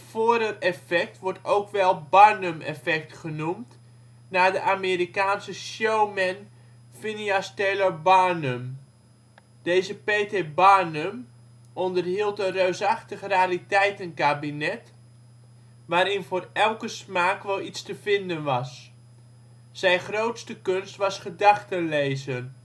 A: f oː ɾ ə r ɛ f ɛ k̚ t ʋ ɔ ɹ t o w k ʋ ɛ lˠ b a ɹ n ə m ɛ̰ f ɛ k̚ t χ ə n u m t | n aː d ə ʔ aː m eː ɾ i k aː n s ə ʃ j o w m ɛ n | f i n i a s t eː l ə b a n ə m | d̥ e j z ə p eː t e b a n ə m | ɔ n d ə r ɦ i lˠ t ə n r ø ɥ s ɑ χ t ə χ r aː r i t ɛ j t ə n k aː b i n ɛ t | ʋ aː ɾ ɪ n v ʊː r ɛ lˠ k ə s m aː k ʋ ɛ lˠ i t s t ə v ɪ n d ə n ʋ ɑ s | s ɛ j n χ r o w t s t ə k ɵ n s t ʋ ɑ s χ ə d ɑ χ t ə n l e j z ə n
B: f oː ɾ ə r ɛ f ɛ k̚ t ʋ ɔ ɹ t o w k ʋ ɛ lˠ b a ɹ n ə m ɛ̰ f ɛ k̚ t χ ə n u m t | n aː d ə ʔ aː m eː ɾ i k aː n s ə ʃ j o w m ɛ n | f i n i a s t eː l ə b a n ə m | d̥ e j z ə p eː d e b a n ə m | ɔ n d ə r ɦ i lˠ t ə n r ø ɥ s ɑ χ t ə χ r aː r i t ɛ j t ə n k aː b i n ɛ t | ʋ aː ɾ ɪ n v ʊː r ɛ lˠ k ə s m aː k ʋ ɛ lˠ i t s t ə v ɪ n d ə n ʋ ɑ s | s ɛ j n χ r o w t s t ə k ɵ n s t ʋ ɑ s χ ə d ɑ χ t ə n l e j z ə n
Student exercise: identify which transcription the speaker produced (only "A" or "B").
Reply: A